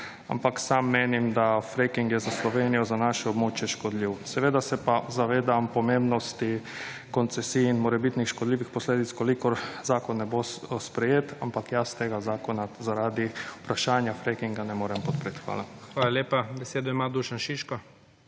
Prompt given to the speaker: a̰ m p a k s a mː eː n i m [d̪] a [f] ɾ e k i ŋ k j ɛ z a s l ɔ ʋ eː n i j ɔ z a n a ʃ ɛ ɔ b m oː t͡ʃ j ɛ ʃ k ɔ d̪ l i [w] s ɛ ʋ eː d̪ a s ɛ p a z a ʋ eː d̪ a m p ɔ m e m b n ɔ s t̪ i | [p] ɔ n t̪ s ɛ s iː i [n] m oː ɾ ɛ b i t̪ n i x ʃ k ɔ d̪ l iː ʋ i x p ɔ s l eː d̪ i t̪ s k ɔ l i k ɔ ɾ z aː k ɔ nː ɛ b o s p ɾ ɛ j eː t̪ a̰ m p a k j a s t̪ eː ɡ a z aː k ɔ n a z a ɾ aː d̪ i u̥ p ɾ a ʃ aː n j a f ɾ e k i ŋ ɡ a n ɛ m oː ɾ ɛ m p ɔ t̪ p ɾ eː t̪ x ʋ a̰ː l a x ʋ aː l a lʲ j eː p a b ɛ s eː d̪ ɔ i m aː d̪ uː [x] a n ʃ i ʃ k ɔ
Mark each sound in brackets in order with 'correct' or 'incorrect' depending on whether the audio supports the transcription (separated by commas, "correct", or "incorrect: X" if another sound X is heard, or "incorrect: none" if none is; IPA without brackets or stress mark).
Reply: correct, correct, correct, incorrect: k, correct, incorrect: ʃ